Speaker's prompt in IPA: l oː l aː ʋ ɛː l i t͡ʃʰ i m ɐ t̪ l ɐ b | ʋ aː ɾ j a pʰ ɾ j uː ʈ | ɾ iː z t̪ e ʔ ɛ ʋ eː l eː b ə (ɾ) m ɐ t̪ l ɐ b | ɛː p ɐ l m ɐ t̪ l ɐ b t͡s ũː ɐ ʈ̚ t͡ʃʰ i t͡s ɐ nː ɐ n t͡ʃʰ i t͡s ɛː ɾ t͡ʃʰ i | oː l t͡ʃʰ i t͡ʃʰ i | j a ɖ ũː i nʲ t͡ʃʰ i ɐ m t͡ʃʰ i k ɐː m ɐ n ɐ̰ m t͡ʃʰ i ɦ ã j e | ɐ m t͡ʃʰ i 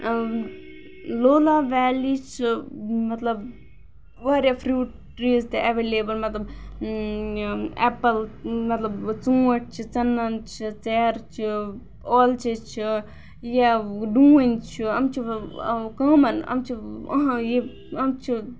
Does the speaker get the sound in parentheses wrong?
yes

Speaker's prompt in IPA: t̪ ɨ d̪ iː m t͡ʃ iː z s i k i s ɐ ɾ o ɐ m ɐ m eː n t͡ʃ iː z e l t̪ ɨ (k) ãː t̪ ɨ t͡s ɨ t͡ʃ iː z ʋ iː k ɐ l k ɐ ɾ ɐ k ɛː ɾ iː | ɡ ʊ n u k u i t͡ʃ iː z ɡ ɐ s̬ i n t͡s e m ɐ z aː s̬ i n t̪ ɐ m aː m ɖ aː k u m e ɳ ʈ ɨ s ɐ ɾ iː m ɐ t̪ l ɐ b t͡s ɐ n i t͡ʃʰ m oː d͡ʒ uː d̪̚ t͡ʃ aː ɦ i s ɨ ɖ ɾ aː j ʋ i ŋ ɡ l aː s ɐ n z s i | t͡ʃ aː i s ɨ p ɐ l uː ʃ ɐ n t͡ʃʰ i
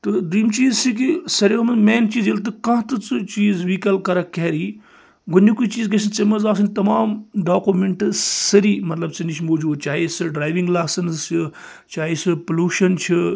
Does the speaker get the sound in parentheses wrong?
no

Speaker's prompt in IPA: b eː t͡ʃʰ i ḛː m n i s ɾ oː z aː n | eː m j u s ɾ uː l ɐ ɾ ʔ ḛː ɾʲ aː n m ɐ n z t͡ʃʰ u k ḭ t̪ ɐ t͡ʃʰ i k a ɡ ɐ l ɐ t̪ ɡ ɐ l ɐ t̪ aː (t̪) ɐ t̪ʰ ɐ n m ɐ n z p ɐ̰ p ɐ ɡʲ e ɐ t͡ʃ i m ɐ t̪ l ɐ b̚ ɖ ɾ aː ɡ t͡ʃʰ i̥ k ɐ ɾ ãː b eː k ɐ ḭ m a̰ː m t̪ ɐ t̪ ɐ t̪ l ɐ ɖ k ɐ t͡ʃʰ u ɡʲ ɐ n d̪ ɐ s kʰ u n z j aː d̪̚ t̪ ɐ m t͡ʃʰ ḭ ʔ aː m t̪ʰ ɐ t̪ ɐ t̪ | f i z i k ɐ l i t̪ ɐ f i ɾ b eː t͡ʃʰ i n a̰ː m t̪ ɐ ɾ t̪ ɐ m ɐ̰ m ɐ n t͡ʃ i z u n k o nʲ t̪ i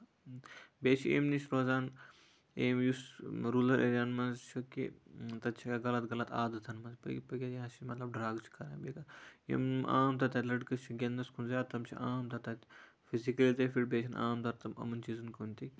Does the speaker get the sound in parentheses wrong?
yes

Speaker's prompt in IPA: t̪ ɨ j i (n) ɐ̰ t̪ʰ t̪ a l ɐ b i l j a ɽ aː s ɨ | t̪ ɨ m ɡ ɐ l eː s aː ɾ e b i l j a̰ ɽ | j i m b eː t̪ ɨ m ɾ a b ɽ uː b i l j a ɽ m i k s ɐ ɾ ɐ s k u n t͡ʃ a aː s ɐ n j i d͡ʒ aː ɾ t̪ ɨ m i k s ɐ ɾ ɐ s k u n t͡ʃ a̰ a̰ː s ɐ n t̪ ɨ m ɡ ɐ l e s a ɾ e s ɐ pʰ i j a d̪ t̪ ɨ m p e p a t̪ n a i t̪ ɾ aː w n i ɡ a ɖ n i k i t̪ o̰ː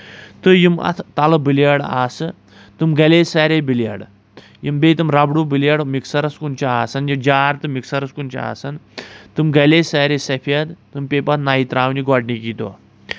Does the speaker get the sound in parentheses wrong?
yes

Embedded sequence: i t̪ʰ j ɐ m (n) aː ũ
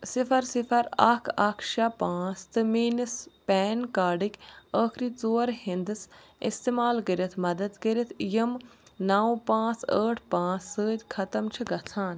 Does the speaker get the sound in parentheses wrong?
no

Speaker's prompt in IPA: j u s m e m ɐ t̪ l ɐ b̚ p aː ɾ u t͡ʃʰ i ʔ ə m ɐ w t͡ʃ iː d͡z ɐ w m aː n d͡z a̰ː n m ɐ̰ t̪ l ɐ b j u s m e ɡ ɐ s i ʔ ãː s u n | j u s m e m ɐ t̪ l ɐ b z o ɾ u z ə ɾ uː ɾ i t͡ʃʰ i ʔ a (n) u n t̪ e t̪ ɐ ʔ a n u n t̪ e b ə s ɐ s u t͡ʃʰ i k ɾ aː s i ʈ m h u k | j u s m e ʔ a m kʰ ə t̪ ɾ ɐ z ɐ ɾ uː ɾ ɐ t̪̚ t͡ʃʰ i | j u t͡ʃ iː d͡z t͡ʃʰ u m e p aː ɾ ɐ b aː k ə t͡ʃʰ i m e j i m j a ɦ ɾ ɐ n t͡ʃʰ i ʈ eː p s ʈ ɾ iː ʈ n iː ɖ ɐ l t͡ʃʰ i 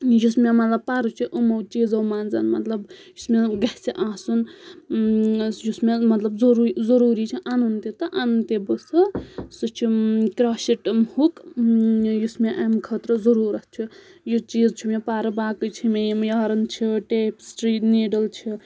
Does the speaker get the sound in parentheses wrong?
no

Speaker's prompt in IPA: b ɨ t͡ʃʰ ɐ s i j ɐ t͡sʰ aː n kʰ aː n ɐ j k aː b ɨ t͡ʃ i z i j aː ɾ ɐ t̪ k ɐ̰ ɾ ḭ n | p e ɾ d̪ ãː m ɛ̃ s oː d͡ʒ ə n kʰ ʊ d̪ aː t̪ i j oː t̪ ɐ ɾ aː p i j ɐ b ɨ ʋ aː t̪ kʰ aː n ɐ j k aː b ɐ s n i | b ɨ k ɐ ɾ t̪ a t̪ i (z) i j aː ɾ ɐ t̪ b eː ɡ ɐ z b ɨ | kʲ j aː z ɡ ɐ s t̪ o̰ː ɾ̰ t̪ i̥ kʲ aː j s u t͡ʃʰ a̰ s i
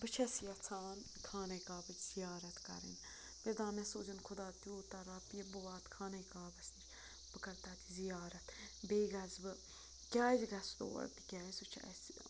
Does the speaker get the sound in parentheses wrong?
no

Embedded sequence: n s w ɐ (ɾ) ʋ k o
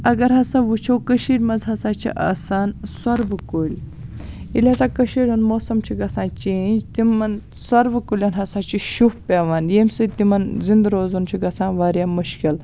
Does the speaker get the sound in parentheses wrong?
no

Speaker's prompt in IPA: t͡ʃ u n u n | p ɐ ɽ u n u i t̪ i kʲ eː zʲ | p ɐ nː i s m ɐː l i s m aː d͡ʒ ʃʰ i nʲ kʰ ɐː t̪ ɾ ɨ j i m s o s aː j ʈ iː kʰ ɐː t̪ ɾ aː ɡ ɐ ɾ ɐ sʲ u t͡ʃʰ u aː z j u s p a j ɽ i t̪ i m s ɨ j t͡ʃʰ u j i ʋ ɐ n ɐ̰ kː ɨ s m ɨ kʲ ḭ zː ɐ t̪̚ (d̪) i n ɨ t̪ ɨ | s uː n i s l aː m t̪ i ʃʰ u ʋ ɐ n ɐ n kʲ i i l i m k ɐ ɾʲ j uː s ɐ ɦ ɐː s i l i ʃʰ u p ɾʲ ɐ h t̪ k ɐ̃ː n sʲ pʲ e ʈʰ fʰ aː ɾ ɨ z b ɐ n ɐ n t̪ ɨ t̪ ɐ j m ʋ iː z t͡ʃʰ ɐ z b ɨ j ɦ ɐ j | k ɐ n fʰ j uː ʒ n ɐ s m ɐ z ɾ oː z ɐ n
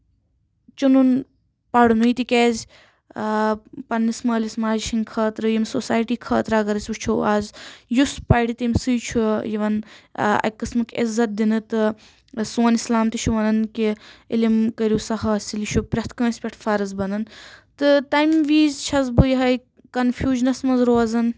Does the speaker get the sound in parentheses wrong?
no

